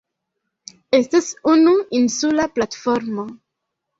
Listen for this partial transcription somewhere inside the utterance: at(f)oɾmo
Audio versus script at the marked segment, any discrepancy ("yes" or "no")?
no